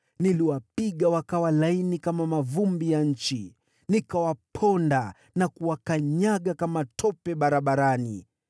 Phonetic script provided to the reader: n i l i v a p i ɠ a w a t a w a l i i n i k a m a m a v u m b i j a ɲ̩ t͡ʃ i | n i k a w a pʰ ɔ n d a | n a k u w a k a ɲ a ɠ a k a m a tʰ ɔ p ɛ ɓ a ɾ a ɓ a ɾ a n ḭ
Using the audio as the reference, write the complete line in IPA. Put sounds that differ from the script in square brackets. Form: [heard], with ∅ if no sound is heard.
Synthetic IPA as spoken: n i l i [w] a p i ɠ a w a [k] a w a l [a] i n i k a m a m a v u m b i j a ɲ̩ t͡ʃ i | n i k a w a pʰ ɔ n d a | n a k u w a k a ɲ a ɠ a k a m a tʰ ɔ p ɛ ɓ a ɾ a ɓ a ɾ a n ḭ